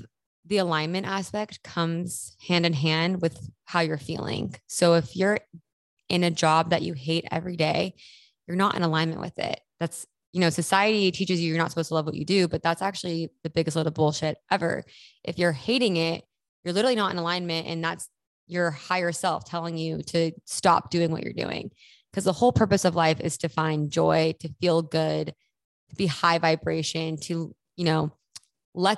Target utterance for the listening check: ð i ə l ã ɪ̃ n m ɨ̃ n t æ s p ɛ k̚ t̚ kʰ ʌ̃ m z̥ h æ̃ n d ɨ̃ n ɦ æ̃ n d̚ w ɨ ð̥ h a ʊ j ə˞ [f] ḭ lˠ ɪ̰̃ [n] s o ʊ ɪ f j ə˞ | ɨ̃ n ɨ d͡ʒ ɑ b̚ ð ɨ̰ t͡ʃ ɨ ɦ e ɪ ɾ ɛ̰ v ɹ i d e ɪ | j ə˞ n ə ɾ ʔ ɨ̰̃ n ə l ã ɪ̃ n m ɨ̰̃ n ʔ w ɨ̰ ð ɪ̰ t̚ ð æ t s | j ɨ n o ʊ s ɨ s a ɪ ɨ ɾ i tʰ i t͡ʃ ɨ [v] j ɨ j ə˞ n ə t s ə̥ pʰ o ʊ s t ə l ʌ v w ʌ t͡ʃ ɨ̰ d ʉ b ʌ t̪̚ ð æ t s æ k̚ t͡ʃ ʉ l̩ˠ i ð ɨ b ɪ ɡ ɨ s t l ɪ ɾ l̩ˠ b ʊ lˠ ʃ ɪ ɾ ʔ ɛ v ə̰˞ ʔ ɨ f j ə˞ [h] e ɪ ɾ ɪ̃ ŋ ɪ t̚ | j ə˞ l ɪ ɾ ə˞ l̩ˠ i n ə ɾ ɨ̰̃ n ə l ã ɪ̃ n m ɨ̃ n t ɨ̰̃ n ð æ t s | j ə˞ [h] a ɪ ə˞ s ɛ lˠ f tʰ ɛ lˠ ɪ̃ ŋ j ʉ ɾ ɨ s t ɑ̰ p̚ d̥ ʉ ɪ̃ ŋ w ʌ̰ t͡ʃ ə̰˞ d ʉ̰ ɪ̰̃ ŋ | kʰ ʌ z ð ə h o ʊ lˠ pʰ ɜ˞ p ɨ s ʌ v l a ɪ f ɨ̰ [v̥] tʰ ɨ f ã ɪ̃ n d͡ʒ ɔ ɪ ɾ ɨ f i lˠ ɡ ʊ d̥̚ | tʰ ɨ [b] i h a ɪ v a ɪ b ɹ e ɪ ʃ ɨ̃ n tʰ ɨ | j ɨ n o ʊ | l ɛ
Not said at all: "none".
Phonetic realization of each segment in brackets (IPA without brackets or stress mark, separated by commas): f, ŋ, z, h, h, z̥, b